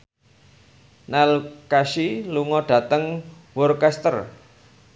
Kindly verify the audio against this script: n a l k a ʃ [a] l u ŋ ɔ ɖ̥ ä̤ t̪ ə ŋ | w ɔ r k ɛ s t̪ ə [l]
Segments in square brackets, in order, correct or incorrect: incorrect, incorrect

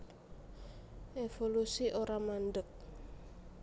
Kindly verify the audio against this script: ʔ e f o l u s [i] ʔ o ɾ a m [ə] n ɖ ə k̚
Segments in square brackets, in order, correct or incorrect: correct, incorrect

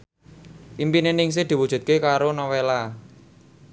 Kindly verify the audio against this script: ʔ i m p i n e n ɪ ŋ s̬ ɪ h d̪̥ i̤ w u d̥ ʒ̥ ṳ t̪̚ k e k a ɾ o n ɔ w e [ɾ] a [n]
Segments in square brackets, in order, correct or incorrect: incorrect, incorrect

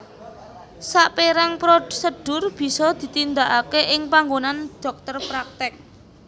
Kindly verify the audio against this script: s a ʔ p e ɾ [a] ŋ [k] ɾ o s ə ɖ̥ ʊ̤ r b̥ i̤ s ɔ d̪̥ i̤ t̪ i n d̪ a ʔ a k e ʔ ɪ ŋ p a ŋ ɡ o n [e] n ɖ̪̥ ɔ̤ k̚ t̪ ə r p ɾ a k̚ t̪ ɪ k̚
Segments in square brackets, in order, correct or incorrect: correct, incorrect, incorrect

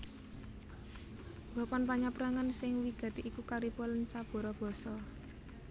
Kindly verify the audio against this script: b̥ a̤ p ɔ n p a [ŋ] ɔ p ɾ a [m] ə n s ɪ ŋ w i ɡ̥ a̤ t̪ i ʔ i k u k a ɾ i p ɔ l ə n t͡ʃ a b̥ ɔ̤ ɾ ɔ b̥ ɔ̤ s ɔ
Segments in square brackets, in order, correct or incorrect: incorrect, incorrect

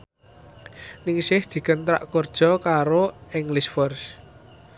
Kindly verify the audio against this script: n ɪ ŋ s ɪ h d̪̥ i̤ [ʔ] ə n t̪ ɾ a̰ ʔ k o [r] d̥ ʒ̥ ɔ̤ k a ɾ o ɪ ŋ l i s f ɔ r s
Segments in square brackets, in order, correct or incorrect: incorrect, correct

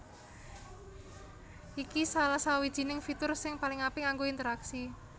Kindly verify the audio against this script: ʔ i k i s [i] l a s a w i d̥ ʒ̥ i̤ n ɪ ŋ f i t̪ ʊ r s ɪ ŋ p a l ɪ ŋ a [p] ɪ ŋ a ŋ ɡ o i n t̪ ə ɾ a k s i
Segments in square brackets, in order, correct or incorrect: incorrect, correct

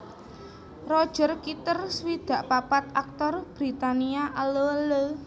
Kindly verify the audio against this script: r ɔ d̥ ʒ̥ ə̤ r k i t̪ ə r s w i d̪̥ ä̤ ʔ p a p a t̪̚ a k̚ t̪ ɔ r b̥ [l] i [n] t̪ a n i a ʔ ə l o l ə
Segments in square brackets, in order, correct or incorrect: incorrect, incorrect

